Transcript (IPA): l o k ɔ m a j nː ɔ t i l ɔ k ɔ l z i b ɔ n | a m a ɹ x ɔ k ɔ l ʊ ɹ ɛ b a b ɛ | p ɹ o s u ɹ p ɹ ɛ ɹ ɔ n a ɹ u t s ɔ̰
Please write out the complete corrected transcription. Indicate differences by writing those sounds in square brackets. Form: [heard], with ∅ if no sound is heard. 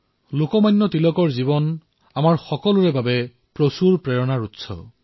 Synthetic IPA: l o k ɔ m a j nː ɔ t i l ɔ k ɔ [ɹ] z i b ɔ n | a m a ɹ x ɔ k ɔ l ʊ ɹ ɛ b a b ɛ | p ɹ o s u ɹ p ɹ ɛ ɹ ɔ n a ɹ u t s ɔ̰